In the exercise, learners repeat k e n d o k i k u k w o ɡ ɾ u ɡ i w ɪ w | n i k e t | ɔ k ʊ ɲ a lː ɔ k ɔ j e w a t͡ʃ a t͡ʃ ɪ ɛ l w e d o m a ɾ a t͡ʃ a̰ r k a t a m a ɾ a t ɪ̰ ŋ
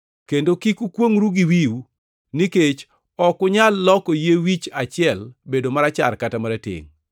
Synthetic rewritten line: k e n d o k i k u k w o ŋ ɾ u ɡ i w i w | n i k e t͡ʃ | ɔ k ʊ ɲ a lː ɔ k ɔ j e w i t͡ʃ a t͡ʃ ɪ ɛ l b e d o m a ɾ a t͡ʃ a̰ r k a t a m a ɾ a t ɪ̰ ŋ